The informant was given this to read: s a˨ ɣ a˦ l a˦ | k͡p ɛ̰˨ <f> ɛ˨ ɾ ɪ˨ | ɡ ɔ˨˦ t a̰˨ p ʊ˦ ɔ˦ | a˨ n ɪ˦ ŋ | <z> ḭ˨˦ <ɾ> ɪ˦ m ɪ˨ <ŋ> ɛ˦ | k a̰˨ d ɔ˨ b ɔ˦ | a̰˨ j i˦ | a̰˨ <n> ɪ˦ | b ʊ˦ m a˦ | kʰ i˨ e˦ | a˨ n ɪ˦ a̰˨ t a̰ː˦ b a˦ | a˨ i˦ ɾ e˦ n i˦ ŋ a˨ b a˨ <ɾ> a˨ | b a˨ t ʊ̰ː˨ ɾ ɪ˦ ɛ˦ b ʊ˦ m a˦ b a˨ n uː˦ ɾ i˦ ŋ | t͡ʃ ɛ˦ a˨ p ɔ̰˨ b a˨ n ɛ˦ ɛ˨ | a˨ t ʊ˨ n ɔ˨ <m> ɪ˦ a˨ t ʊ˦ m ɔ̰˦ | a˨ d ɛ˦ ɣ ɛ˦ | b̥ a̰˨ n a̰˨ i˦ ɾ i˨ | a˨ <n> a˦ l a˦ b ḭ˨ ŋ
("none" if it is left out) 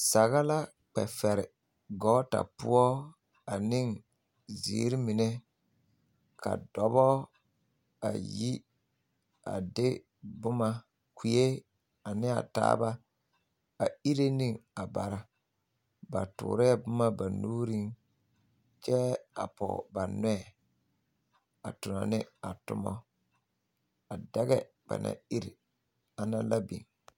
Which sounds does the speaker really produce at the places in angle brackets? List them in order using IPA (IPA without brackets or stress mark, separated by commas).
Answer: f, z, ɾ, n, d, ɾ, n, n